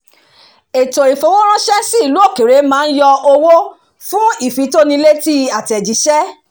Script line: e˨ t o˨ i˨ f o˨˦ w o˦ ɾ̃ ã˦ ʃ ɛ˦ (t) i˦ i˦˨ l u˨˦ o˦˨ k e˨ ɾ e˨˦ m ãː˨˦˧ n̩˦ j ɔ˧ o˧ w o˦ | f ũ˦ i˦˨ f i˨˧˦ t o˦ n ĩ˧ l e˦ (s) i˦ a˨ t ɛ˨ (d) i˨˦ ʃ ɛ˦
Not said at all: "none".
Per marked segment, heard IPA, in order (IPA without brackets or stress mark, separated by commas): s, t, d͡ʒ